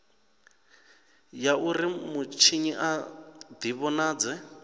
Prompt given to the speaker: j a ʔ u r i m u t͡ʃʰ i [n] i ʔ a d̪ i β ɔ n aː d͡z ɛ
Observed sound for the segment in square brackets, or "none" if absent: ɲ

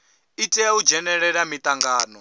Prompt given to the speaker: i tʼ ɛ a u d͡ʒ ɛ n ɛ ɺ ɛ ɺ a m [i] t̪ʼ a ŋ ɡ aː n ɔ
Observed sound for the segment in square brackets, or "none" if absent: i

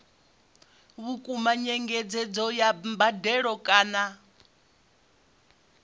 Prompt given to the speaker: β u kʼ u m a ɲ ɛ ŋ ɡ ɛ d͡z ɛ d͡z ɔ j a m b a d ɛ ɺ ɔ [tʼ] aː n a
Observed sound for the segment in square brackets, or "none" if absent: kʼ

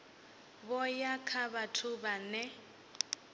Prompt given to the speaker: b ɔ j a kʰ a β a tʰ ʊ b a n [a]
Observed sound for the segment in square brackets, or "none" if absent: ɛ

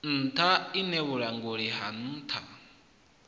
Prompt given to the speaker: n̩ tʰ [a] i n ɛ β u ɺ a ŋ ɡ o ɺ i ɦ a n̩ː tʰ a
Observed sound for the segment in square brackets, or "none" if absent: a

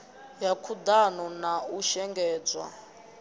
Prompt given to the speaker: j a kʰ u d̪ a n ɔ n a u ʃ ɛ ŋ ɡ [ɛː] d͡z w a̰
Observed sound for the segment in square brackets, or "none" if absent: ɛː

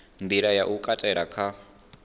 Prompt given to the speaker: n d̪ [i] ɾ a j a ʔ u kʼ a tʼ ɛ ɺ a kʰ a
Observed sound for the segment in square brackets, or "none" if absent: i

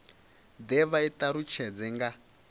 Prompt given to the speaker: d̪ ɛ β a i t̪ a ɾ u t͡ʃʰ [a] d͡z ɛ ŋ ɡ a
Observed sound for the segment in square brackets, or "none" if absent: ɛ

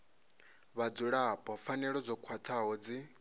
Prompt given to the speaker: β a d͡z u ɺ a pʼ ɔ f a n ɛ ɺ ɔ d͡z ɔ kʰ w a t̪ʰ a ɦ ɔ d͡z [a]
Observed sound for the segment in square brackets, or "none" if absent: i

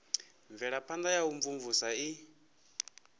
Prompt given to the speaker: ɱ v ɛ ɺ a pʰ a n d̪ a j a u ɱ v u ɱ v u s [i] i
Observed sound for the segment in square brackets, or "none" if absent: a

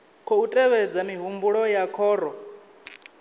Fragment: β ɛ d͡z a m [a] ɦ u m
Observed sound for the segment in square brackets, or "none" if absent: i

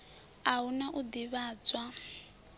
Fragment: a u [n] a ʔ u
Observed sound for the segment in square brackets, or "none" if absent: n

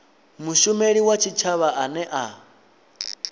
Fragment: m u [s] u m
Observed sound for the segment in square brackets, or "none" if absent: ʃ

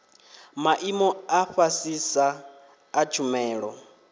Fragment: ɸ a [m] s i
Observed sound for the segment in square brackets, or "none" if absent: none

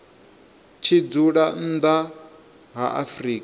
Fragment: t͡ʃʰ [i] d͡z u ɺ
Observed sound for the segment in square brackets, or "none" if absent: i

